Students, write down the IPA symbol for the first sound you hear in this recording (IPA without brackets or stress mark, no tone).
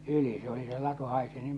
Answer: y